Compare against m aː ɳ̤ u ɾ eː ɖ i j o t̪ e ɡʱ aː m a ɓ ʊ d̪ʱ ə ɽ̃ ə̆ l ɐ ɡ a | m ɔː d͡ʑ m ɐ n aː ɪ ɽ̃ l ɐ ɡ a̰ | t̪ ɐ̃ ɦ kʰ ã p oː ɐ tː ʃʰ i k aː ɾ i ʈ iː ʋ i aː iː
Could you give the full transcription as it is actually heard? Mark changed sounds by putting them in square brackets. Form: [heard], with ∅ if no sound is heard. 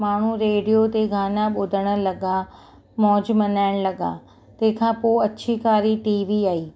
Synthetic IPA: m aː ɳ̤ u ɾ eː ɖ i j o t̪ e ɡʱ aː [n] a ɓ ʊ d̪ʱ ə ɽ̃ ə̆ l ɐ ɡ a | m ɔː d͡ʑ m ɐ n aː ɪ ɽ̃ l ɐ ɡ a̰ | t̪ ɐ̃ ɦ kʰ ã p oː ɐ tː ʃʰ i k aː ɾ i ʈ iː ʋ i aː iː

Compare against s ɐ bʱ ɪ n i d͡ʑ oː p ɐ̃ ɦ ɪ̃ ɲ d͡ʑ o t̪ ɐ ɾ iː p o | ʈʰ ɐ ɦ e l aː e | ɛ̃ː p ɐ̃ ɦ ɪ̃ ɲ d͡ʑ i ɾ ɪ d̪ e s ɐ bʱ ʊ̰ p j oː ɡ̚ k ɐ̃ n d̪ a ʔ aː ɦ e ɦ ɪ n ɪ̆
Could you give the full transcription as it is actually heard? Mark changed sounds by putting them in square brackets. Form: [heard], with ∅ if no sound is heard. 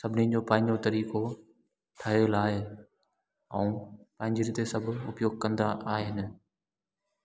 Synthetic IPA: s ɐ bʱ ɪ n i d͡ʑ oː p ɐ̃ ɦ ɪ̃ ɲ d͡ʑ o t̪ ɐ ɾ iː [k] o | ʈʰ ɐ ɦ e l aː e | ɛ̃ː p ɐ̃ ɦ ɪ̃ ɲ d͡ʑ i ɾ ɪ [t̪] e s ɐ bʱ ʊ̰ p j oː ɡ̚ k ɐ̃ n d̪ a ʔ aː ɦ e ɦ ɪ n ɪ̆

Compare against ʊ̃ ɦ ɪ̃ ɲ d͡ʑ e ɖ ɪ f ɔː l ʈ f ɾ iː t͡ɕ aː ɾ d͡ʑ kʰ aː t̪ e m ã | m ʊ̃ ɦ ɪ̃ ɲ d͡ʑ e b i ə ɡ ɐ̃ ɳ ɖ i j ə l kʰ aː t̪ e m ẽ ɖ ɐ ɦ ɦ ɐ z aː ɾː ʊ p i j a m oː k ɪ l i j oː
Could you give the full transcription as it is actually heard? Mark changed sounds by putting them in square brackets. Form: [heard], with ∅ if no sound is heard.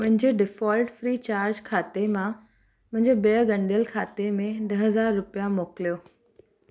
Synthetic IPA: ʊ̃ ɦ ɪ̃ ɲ d͡ʑ e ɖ ɪ f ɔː l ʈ f ɾ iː t͡ɕ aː ɾ d͡ʑ kʰ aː t̪ e m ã | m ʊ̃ ɦ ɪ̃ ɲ d͡ʑ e b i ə ɡ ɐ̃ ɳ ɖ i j ə l kʰ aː t̪ e m ẽ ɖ ɐ ɦ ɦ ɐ z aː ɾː ʊ p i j a m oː k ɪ l i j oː

